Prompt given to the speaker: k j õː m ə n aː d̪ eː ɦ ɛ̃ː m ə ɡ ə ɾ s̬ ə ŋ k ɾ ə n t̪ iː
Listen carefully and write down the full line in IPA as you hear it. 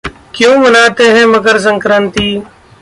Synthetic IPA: k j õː m ə n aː t̪ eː ɦ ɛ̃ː m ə ɡ ə ɾ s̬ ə ŋ k ɾ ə n t̪ iː